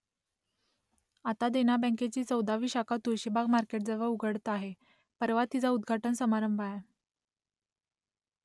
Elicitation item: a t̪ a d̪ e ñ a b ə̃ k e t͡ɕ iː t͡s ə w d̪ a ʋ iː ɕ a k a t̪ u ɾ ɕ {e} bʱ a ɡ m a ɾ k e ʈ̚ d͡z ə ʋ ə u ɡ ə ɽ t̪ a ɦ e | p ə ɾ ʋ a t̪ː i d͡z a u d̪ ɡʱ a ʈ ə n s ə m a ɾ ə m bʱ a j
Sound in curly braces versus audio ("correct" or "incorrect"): incorrect